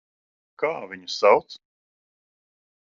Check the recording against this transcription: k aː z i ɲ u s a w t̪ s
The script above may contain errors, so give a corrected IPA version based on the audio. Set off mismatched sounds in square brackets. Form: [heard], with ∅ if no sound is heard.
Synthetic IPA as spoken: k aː [v] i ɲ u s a w t̪ s